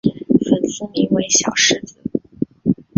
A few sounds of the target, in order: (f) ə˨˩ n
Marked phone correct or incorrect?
correct